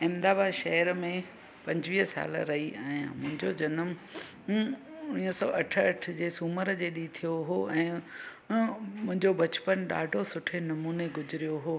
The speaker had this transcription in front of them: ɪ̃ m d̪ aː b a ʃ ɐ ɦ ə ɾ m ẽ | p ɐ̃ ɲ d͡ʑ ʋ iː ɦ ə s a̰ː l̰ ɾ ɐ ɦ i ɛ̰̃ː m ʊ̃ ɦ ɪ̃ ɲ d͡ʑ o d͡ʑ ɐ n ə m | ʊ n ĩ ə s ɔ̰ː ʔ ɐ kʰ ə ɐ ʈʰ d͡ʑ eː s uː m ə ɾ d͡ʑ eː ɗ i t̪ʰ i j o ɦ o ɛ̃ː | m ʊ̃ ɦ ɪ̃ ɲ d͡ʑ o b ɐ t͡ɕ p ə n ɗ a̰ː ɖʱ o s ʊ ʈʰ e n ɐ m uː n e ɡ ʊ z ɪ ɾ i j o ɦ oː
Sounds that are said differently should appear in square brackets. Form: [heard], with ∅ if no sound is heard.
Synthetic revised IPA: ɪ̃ m d̪ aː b a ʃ ɐ ɦ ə ɾ m ẽ | p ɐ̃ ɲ d͡ʑ ʋ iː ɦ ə s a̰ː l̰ ɾ ɐ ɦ i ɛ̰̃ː m ʊ̃ ɦ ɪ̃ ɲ d͡ʑ o d͡ʑ ɐ n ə m | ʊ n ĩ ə s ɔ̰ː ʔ ɐ [ʈʰ] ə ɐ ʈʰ d͡ʑ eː s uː m ə ɾ d͡ʑ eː ɗ i t̪ʰ i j o ɦ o ɛ̃ː | m ʊ̃ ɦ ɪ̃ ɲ d͡ʑ o b ɐ t͡ɕ p ə n ɗ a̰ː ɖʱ o s ʊ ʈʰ e n ɐ m uː n e ɡ ʊ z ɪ ɾ i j o ɦ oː